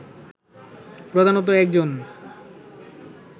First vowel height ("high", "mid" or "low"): mid